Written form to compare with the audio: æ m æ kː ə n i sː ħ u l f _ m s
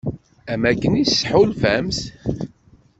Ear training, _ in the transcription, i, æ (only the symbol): æ